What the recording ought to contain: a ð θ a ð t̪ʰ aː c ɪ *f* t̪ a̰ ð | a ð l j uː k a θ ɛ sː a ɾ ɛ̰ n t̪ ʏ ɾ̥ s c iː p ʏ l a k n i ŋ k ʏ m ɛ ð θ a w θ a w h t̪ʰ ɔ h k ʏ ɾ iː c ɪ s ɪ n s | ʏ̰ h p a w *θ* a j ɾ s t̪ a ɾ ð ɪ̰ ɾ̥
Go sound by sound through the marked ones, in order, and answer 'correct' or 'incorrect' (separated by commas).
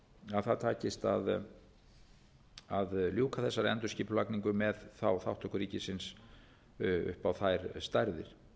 incorrect, correct